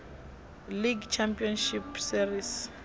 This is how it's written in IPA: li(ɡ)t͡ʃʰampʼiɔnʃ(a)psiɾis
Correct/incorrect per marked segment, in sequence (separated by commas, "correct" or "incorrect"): correct, incorrect